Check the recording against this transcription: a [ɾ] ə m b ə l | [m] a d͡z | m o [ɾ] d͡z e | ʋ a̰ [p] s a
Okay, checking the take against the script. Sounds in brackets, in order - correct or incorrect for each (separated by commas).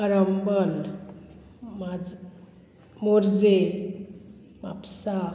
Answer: correct, correct, correct, correct